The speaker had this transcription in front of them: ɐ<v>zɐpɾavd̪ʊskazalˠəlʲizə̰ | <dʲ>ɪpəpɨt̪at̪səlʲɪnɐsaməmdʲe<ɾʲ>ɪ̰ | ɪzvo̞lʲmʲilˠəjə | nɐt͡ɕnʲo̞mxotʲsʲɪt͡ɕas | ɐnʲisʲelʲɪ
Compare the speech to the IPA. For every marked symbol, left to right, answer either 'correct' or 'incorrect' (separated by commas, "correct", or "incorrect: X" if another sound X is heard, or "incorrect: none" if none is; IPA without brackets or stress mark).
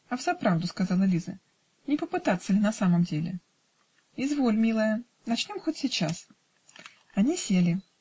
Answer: correct, incorrect: nʲ, incorrect: lʲ